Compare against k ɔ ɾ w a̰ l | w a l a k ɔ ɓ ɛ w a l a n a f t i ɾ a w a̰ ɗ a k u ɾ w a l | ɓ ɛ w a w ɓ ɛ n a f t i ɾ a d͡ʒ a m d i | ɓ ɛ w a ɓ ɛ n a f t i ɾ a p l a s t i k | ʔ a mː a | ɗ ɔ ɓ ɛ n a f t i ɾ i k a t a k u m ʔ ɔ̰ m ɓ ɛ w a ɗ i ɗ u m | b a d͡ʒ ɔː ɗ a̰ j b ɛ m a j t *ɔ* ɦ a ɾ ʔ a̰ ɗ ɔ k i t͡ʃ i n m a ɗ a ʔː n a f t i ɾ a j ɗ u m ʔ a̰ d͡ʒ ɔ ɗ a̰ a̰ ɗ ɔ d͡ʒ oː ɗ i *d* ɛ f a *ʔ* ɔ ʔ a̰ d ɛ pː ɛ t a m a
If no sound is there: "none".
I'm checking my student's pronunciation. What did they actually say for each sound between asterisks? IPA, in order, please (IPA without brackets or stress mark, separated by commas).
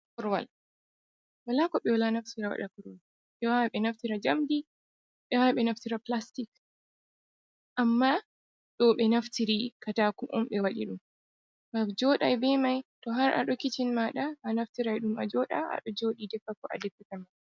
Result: ɔ, d, k